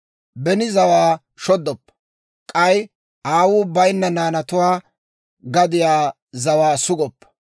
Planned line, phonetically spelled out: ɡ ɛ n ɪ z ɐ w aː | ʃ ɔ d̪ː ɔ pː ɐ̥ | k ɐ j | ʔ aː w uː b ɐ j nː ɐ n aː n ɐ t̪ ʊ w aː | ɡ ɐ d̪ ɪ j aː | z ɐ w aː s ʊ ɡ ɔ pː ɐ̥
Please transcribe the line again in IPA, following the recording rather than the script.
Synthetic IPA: b ɛ n ɪ z ɐ w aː | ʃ ɔ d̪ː ɔ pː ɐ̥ | kʼ ɐ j | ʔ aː w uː b ɐ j nː ɐ n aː n ɐ t̪ ʊ w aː | ɡ ɐ d̪ ɪ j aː | z ɐ w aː s ʊ ɡ ɔ pː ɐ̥